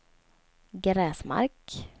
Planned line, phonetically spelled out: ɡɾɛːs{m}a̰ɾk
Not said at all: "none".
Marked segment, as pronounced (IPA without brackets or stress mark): m